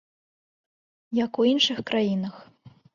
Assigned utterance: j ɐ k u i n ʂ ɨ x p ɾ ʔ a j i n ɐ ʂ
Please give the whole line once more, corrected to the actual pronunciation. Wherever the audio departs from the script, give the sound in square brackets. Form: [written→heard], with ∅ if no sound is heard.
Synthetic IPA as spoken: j ɐ k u i n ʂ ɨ x [p→k] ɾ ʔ a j i n ɐ [ʂ→x]